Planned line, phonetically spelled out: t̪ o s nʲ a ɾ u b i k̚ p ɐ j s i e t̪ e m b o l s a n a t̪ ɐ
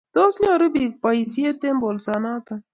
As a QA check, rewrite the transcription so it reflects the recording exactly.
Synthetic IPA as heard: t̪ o s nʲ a ɾ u b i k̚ p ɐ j s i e t̪ e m b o l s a n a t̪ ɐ